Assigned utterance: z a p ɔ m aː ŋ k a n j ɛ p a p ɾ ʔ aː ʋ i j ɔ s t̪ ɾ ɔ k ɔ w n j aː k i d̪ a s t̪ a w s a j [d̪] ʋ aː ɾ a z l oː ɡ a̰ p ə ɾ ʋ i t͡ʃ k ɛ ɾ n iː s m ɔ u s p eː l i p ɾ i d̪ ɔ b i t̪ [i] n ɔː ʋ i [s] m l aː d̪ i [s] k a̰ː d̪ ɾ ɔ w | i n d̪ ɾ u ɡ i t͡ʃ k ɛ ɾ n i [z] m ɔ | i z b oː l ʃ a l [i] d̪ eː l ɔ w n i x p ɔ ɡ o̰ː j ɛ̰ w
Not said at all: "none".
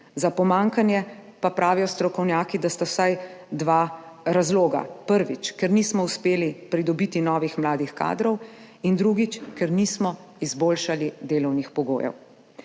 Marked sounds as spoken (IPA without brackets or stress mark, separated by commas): d̪, i, x, x, s, i